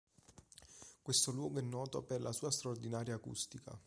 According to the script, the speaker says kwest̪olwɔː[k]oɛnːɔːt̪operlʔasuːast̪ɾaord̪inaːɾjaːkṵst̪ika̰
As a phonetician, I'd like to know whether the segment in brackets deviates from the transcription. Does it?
yes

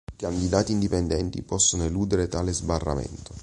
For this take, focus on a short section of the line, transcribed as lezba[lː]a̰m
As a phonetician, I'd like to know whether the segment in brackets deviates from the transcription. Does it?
yes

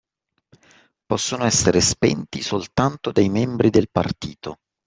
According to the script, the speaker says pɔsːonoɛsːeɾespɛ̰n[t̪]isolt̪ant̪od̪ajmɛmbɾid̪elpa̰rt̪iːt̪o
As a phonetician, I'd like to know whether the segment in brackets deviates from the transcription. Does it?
no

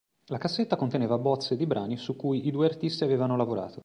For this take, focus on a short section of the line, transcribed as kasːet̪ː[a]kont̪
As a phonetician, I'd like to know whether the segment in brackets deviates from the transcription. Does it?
no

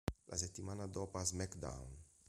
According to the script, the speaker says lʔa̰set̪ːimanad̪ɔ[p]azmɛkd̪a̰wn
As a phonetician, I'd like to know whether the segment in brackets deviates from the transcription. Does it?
no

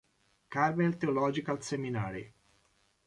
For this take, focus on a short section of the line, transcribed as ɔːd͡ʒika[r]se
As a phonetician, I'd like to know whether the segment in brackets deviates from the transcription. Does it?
yes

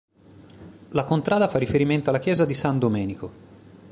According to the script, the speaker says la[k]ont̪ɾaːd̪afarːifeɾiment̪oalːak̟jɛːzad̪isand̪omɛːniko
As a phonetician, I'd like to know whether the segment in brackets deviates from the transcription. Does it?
no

